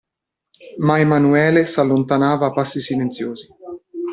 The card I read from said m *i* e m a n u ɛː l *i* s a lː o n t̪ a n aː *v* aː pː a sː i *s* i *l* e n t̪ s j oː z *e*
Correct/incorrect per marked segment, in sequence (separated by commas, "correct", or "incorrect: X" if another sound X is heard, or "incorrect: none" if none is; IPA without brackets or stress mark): incorrect: a, incorrect: e, correct, correct, correct, incorrect: i